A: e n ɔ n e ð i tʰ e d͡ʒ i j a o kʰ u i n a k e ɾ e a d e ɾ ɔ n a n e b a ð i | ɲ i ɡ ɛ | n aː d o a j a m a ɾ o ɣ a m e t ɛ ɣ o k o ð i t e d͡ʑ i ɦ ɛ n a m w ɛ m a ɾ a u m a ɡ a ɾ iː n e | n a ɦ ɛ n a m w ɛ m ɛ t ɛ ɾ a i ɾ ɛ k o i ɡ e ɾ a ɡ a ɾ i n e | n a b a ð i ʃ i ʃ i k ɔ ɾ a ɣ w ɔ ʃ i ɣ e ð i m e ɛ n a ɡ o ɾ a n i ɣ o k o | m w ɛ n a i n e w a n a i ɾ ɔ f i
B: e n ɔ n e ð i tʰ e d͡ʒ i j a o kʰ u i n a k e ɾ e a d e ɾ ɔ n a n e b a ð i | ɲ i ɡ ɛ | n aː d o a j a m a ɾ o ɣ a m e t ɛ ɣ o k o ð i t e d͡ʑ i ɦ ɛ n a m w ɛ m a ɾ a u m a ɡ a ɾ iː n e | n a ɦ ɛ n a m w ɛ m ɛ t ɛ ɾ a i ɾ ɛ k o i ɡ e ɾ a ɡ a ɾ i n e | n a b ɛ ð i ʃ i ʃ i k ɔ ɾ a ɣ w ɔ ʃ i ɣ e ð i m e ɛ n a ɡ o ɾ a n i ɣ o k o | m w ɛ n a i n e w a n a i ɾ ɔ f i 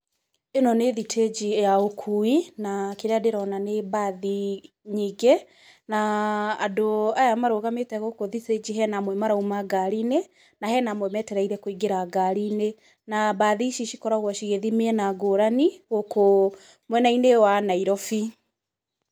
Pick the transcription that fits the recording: A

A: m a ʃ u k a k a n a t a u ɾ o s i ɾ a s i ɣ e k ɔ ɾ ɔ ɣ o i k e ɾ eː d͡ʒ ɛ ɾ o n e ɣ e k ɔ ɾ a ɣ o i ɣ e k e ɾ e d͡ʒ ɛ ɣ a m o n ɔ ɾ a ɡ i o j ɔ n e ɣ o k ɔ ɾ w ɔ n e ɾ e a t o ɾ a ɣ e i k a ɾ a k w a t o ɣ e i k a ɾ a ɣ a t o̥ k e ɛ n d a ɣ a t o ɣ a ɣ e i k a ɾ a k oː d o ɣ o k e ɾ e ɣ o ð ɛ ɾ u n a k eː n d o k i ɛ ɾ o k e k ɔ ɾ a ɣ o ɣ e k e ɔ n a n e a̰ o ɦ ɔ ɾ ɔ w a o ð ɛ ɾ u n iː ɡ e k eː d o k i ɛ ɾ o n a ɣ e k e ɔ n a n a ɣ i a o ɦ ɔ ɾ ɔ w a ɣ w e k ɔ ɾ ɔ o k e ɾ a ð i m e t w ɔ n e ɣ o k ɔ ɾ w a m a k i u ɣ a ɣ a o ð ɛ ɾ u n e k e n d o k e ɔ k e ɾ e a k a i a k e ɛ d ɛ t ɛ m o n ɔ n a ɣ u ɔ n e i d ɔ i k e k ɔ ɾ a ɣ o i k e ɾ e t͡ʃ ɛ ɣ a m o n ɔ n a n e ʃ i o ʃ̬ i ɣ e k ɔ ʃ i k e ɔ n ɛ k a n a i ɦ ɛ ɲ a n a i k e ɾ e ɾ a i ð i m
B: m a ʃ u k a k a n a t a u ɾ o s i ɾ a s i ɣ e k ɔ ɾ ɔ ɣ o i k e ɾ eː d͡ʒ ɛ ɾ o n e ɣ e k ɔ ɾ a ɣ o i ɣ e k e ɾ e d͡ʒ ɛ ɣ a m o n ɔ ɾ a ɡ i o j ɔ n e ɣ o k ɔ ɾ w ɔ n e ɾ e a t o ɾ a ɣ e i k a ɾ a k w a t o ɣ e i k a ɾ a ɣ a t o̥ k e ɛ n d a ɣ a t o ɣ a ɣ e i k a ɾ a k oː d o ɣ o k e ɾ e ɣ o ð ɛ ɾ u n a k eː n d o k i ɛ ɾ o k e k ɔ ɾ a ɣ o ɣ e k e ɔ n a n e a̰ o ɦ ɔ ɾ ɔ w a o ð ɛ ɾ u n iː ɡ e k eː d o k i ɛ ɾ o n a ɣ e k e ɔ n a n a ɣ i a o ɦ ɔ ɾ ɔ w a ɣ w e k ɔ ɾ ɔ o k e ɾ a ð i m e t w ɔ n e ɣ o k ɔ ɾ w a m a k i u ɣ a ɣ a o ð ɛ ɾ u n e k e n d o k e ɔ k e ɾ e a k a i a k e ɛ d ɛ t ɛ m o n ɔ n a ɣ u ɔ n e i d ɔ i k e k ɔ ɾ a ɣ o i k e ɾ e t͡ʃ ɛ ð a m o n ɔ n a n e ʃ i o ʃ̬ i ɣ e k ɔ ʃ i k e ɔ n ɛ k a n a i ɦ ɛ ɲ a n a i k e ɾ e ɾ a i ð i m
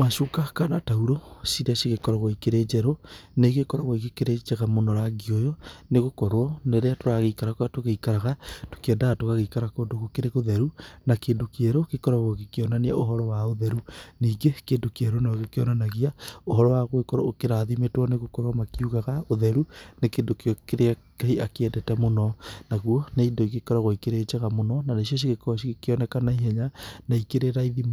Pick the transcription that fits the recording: A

